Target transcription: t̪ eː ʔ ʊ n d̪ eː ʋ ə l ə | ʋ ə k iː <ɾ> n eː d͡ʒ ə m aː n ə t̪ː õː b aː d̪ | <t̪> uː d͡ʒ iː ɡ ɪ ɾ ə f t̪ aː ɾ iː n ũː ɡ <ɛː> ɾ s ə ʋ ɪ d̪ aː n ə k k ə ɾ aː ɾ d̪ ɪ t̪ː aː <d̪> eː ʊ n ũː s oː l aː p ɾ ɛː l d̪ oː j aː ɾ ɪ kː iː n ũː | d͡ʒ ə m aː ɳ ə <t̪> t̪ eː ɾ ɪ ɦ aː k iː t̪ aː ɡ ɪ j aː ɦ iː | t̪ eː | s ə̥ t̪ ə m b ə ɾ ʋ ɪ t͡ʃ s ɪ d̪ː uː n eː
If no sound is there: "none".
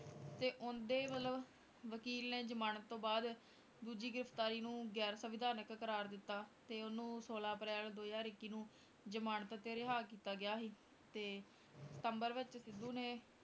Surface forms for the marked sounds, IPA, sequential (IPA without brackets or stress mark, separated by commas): l, d̪, ɛː, t̪, t̪